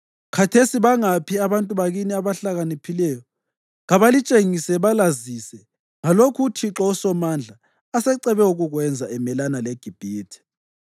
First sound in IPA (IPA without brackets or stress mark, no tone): kʰ